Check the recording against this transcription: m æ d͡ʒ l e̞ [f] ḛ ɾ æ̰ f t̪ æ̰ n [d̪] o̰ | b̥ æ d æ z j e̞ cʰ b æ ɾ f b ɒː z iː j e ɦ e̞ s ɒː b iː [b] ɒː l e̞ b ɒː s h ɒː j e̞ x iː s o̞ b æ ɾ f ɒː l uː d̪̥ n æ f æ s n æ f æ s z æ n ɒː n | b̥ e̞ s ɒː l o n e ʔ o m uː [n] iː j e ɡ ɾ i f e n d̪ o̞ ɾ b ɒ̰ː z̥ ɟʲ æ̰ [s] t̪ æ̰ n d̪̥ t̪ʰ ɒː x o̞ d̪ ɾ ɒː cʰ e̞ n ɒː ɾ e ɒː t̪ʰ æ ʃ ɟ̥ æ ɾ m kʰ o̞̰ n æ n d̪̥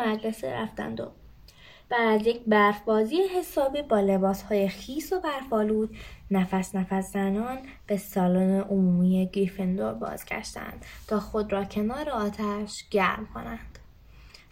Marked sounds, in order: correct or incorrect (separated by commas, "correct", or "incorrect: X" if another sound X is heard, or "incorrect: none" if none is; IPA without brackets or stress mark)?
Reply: incorrect: s, correct, correct, incorrect: m, incorrect: ʃ